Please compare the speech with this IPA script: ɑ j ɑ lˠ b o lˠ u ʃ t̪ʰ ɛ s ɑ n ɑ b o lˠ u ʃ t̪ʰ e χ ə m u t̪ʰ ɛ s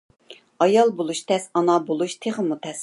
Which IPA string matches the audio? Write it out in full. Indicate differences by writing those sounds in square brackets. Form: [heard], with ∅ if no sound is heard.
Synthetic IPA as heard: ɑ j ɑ lˠ b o lˠ u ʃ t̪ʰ ɛ s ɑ n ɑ b o lˠ u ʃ t̪ʰ e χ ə m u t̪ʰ ɛ s